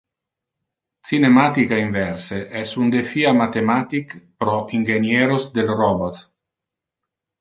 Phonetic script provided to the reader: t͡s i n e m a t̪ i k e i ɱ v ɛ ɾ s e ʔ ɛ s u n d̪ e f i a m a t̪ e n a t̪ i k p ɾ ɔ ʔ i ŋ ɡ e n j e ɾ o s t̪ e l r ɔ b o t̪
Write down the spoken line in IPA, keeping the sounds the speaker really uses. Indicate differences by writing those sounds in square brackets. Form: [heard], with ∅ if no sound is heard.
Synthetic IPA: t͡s i n e m a t̪ i k [a] i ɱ v ɛ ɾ s e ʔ ɛ s u n d̪ e f i a m a t̪ e [m] a t̪ i k p ɾ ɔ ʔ i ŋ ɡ e n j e ɾ o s [d̪] e l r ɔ b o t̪

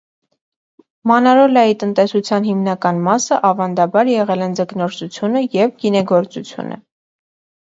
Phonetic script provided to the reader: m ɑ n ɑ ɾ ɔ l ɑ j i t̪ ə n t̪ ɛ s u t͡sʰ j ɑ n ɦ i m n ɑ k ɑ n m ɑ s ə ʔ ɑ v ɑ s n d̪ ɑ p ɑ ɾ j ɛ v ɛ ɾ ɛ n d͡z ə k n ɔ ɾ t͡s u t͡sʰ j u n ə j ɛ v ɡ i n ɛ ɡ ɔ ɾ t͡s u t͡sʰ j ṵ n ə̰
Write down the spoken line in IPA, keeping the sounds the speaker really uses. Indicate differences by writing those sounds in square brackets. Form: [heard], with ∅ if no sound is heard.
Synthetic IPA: m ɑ n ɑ ɾ ɔ l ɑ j i t̪ ə n t̪ ɛ s u t͡sʰ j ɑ n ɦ i m n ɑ k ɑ n m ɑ s ə ʔ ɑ v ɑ [∅] n d̪ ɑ [b] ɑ ɾ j ɛ [ʁ] ɛ [l] ɛ n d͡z ə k n ɔ ɾ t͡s u t͡sʰ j u n ə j ɛ v ɡ i n ɛ ɡ ɔ ɾ t͡s u t͡sʰ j ṵ n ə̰

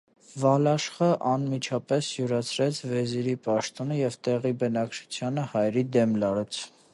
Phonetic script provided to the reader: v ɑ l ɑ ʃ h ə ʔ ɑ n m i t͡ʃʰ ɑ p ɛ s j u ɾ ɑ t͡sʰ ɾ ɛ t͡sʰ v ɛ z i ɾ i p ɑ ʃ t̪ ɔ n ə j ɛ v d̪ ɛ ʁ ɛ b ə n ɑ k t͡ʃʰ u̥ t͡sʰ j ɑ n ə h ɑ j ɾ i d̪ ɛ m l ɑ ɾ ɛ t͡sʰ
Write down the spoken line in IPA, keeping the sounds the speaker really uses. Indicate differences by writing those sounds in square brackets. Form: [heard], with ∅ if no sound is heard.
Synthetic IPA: v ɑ l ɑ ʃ [χ] ə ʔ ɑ n m i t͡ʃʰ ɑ p ɛ s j u ɾ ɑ t͡sʰ ɾ ɛ t͡sʰ v ɛ z i ɾ i p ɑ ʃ t̪ ɔ n ə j ɛ v [t̪] ɛ ʁ [i] b ə n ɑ k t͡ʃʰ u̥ t͡sʰ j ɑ n ə h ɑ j ɾ i d̪ ɛ m l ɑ ɾ ɛ t͡sʰ

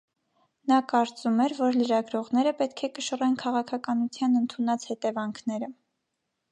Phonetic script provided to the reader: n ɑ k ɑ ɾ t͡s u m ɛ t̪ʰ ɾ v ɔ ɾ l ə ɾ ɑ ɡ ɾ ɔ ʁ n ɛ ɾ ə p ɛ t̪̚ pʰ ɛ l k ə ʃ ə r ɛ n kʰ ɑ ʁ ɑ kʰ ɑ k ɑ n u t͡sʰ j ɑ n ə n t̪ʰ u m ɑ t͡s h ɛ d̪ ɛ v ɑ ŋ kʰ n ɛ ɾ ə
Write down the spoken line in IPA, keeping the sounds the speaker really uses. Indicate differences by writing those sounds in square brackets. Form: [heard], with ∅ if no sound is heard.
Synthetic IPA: n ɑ k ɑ ɾ t͡s u m ɛ [∅] ɾ v ɔ ɾ l ə ɾ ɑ ɡ ɾ ɔ ʁ n ɛ ɾ ə p ɛ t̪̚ [kʰ] ɛ [∅] k ə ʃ ə r ɛ n kʰ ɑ ʁ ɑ kʰ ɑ k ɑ n u t͡sʰ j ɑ n ə n t̪ʰ u [n] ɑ t͡s h ɛ [t̪] ɛ v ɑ ŋ kʰ n ɛ ɾ ə

